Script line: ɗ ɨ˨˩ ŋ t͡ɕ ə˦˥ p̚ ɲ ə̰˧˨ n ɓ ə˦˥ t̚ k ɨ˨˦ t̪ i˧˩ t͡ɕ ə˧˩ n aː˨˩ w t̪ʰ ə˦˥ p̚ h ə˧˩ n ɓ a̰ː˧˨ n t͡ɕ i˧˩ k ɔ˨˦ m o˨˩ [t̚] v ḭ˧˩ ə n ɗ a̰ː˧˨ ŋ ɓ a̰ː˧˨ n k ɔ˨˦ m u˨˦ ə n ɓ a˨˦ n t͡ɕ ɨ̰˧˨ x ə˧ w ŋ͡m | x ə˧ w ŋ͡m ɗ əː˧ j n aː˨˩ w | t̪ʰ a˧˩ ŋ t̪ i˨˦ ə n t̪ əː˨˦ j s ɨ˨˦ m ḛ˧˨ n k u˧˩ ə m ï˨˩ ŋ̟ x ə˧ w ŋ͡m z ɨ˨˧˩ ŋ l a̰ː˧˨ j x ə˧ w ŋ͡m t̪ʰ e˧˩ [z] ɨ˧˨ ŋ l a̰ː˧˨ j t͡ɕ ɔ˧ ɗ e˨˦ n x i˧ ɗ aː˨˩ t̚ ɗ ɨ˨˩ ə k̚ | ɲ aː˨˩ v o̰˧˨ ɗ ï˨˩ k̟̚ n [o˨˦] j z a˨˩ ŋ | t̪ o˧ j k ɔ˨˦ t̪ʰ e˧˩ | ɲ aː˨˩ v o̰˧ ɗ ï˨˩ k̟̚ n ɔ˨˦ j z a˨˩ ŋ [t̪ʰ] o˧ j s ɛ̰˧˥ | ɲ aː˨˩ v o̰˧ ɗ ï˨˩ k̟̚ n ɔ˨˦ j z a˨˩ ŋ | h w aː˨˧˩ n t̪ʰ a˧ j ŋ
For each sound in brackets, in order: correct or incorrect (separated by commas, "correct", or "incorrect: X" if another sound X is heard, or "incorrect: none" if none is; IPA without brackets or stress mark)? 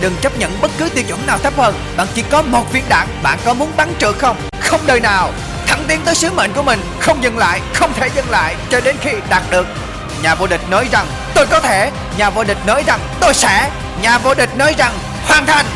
correct, correct, incorrect: ɔ˨˦, incorrect: t̪